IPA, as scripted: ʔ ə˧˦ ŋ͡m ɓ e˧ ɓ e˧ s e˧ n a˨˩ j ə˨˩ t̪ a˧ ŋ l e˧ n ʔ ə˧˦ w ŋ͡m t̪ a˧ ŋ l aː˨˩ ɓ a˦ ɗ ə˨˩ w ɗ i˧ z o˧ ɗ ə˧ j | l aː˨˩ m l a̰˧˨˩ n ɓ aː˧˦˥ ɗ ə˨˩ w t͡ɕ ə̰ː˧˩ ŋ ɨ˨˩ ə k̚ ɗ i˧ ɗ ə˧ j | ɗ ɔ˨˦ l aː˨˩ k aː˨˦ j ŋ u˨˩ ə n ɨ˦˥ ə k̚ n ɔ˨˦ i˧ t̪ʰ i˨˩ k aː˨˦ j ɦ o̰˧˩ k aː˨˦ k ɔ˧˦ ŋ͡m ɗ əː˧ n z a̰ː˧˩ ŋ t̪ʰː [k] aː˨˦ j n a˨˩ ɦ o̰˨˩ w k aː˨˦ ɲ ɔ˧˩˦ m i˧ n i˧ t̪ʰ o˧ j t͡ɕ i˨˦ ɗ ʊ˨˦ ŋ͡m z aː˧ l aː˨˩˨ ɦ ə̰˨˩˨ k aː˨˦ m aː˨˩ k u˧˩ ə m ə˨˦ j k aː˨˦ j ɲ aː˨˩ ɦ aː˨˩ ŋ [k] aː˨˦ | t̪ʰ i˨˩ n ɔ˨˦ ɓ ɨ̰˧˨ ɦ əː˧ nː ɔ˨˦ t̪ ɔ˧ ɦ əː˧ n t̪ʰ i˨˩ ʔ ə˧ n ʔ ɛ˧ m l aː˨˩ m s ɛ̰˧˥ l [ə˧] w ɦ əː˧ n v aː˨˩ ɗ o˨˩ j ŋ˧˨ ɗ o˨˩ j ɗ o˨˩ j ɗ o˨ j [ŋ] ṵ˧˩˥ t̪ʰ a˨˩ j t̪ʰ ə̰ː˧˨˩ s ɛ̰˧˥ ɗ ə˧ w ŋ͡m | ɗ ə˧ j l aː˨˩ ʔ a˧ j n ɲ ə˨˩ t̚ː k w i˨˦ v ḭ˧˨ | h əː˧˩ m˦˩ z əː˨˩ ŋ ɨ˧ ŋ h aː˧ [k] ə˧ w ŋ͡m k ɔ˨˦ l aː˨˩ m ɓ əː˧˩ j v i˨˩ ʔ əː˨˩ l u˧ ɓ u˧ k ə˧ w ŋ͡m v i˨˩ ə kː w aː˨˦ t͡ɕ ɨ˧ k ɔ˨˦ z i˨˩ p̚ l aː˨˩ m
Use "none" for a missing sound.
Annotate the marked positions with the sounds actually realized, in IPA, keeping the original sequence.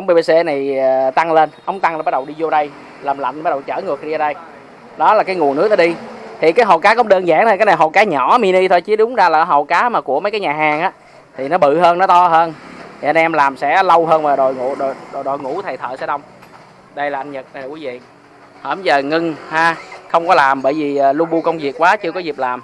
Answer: k, ʔ, ə˧, ŋ, x

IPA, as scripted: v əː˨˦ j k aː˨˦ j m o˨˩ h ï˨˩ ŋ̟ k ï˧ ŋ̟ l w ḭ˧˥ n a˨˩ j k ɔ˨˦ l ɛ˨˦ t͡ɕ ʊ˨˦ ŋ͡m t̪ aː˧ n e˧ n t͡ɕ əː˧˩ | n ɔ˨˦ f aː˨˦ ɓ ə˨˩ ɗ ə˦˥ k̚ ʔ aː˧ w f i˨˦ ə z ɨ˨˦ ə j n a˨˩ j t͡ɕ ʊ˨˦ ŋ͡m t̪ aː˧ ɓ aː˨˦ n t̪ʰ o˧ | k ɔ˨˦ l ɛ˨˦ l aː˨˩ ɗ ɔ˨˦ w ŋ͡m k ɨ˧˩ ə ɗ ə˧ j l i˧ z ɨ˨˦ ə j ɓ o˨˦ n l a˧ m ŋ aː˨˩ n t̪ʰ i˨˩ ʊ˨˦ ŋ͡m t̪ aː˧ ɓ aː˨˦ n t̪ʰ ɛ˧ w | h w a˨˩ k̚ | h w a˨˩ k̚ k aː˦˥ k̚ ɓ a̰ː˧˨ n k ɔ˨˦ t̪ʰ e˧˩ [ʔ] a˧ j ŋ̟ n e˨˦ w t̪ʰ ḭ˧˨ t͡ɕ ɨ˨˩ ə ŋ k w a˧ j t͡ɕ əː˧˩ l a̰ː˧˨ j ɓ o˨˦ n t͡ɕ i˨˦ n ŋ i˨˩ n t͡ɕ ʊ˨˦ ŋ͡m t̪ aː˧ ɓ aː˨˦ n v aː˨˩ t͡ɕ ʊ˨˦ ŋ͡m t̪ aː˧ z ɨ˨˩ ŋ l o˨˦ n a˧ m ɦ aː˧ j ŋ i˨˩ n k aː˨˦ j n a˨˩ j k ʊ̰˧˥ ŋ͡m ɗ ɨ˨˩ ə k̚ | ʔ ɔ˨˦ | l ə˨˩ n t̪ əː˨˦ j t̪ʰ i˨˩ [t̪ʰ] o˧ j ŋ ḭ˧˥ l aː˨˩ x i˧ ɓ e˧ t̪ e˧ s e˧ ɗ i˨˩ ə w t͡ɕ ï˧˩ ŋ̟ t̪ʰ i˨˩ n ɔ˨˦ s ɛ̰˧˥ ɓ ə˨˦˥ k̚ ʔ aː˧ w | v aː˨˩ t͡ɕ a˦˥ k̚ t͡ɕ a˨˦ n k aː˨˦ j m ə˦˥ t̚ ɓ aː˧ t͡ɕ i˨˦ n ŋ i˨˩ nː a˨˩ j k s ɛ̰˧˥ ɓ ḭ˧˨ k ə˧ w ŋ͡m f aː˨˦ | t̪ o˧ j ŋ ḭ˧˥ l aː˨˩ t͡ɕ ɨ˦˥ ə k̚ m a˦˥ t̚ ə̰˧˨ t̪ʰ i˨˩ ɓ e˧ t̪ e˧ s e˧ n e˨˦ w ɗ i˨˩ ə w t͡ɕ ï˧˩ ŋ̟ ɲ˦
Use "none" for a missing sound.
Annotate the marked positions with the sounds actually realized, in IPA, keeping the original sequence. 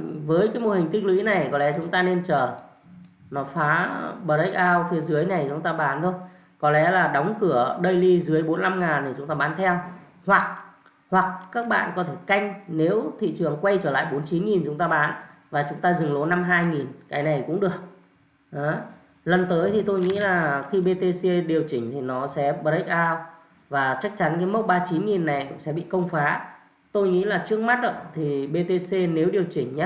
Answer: k, t̪

